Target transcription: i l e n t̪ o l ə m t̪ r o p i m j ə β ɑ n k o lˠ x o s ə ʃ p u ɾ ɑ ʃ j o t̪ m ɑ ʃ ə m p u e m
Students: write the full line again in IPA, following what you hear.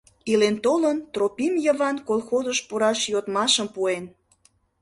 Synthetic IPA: i l e n t̪ o l ə n t̪ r o p i m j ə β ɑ n k o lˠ x o z ə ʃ p u ɾ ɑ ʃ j o t̪ m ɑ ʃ ə m p u e n